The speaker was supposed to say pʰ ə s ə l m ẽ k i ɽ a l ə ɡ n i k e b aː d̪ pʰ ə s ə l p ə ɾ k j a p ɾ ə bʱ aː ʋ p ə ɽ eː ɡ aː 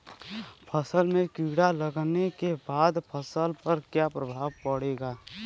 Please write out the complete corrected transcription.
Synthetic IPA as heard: pʰ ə s ə l m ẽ k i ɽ a l ə ɡ n e k e b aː d̪ pʰ ə s ə l p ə ɾ k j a p ɾ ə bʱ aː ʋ p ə ɽ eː ɡ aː